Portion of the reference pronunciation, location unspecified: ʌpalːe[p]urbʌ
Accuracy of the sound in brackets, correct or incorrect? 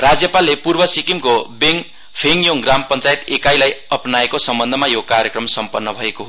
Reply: correct